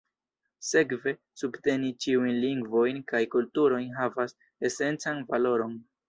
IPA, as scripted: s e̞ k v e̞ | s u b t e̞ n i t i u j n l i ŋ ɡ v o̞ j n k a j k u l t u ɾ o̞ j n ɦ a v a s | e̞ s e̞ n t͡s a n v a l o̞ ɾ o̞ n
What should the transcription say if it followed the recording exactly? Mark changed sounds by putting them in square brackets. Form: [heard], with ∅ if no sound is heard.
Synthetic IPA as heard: s e̞ k v e̞ | s u b t e̞ n i [t͡ʃ] i u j n l i ŋ ɡ v o̞ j n k a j k u l t u ɾ o̞ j n ɦ a v a s | e̞ s e̞ n t͡s a n v a l o̞ ɾ o̞ n